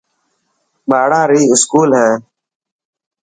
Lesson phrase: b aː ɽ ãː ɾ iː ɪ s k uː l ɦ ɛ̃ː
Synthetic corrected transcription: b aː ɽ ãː ɾ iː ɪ s k uː l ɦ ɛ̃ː

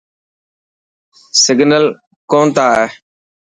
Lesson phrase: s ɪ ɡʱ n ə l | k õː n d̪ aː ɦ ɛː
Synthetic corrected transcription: s ɪ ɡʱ n ə l | k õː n t̪ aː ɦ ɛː

